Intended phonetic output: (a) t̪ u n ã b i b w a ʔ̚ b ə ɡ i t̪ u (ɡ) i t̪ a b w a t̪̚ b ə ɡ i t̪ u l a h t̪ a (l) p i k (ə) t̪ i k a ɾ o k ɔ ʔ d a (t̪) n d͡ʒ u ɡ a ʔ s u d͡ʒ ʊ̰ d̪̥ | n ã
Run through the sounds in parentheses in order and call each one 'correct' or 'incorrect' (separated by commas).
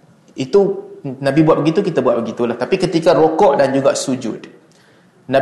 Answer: incorrect, incorrect, incorrect, correct, incorrect